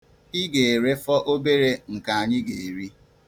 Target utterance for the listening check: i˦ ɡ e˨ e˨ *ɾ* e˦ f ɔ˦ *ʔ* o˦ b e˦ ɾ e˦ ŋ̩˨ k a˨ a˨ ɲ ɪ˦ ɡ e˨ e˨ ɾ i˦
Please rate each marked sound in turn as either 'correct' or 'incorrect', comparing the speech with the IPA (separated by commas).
correct, correct